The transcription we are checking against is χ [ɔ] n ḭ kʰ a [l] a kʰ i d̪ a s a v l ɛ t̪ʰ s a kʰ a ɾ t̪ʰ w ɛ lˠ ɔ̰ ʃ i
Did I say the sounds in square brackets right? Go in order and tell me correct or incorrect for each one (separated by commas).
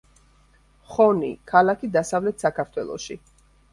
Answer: correct, correct